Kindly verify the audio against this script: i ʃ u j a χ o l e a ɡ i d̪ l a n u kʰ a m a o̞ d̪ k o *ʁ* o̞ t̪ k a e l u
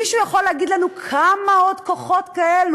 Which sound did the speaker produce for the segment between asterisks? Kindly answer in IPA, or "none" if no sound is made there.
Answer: χ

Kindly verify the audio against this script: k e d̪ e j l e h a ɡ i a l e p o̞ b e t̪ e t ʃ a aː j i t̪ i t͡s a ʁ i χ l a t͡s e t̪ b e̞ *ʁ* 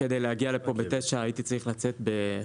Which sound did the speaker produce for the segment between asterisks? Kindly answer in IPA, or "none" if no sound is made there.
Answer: none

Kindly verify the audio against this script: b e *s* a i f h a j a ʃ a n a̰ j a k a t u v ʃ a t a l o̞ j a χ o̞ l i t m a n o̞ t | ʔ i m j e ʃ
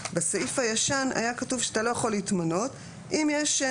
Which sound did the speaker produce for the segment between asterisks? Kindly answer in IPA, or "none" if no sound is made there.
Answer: s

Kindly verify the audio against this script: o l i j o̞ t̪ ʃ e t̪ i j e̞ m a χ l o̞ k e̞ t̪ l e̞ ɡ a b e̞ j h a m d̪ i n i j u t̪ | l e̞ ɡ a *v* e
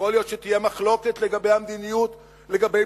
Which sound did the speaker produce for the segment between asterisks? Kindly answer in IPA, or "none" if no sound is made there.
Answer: b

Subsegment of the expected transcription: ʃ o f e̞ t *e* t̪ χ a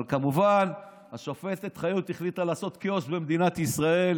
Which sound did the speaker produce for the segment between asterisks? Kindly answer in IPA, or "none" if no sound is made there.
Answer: e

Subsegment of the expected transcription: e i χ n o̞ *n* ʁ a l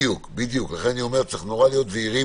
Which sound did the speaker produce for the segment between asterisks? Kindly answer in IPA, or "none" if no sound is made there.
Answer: none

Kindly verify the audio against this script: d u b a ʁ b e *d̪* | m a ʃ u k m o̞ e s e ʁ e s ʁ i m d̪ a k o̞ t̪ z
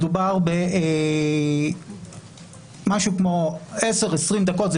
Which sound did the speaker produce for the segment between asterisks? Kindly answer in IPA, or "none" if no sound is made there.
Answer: none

